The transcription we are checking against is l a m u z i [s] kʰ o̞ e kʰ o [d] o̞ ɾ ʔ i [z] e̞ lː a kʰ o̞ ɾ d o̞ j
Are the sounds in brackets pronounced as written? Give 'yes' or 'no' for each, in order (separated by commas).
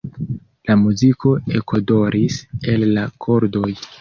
no, yes, no